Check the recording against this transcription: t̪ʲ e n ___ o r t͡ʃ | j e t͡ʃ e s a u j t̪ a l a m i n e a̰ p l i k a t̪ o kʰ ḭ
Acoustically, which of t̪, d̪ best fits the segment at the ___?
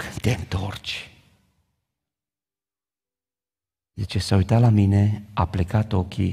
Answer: t̪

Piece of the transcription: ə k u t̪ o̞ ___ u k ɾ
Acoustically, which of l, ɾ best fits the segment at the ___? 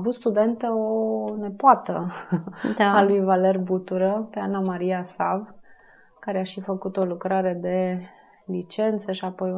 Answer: l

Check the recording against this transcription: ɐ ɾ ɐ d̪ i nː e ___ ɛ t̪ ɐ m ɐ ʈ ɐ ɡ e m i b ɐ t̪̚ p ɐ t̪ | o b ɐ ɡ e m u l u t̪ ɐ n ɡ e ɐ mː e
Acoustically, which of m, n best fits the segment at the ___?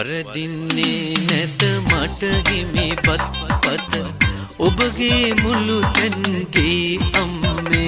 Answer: n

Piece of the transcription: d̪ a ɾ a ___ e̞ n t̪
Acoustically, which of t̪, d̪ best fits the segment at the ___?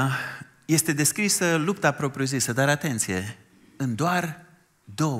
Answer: t̪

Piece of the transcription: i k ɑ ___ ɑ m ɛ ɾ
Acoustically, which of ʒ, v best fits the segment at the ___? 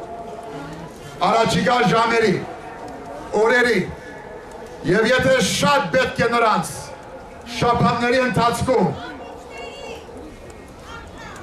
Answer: ʒ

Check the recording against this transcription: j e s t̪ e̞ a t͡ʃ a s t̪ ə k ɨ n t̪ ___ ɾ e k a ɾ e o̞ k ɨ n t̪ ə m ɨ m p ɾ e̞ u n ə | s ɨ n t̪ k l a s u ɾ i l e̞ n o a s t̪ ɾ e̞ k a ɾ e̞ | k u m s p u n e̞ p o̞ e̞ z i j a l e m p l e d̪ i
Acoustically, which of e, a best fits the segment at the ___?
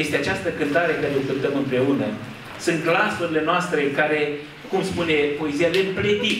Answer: a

